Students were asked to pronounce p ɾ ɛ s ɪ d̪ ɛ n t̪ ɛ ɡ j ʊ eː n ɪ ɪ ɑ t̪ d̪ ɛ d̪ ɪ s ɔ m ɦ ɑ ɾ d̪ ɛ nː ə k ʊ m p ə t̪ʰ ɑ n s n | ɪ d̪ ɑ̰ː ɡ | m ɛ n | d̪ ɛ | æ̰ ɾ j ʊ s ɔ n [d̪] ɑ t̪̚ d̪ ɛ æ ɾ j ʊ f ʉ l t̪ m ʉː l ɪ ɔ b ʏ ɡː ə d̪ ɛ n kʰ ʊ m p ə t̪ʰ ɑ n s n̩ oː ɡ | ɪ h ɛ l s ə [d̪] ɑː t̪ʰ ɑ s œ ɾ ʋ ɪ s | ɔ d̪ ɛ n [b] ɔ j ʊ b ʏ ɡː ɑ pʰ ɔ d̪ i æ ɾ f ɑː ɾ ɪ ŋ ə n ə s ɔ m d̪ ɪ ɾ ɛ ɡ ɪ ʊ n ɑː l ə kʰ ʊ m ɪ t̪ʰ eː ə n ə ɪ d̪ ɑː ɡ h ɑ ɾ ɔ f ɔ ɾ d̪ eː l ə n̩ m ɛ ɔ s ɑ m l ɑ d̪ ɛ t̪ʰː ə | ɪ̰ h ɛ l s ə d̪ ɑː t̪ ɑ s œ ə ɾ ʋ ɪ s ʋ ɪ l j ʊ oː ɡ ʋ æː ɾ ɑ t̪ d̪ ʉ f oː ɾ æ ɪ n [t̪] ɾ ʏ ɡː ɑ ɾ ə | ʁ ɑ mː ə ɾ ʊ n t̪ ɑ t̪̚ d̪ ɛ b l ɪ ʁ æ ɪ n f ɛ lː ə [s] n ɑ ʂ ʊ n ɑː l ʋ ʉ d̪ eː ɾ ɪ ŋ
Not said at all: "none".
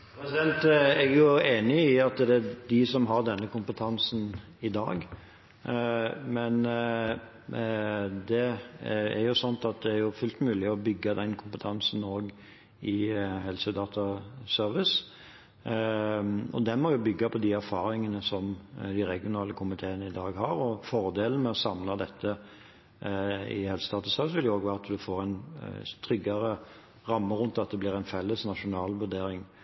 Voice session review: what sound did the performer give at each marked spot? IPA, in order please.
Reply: t̪, d̪, m, t̪ʰ, s

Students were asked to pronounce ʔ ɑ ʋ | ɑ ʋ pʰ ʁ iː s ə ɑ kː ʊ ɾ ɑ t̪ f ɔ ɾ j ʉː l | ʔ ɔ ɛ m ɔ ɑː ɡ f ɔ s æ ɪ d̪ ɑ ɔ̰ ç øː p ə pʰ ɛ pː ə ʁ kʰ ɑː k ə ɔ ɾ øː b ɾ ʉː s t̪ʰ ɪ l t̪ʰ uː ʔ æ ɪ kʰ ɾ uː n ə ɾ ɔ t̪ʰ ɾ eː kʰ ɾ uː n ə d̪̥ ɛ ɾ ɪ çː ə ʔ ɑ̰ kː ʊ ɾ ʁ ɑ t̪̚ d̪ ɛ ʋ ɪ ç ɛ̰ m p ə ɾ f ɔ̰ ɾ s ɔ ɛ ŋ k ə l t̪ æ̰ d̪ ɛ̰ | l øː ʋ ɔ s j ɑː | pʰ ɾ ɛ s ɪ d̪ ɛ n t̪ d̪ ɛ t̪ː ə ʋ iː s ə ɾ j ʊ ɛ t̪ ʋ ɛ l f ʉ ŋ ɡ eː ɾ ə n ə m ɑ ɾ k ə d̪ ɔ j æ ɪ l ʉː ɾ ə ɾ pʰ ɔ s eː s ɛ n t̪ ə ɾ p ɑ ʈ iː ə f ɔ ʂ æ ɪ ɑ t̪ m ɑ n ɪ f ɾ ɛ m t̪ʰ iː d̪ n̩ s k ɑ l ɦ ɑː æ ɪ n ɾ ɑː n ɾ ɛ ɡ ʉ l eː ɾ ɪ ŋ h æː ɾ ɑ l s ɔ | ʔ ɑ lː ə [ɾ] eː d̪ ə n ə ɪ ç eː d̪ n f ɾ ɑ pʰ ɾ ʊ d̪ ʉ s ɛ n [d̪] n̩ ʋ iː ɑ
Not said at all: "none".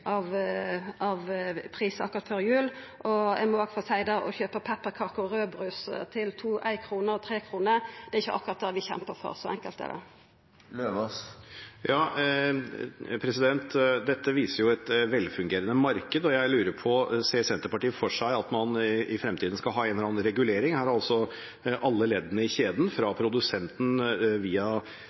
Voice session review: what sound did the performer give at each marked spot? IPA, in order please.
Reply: l, t̪

